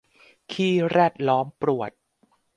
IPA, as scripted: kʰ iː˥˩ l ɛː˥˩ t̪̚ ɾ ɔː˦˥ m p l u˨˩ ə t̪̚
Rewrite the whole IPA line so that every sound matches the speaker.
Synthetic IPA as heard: kʰ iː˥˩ ɾ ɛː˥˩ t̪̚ l ɔː˦˥ m p ɾ u˨˩ ə t̪̚